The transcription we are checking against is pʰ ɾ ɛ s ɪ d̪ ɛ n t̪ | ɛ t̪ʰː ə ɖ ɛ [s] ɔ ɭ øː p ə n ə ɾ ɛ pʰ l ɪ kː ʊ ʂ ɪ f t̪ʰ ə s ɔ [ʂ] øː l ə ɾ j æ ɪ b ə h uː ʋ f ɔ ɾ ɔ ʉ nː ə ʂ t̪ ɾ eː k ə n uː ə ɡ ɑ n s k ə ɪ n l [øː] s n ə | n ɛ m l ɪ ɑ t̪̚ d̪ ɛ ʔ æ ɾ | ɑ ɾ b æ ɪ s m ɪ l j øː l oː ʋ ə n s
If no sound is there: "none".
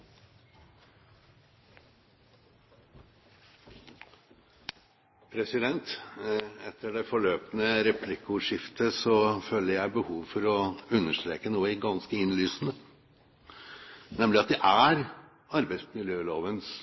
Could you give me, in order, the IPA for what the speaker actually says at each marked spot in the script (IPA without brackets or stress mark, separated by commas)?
f, f, yː